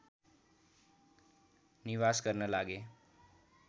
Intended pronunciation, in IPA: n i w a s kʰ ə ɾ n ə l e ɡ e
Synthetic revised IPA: n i ʋ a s k ə ɾ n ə l a ɡ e